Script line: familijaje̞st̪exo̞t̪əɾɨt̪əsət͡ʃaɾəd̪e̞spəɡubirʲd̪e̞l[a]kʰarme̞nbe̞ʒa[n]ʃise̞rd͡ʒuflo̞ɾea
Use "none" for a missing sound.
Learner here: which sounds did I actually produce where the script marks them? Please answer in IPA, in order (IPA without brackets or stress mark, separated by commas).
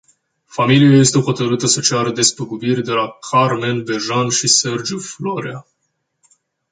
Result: a, n